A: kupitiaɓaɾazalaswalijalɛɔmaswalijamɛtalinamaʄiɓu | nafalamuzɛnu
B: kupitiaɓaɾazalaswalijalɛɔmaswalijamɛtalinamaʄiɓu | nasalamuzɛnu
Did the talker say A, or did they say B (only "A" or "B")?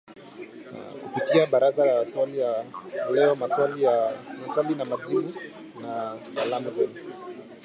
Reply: B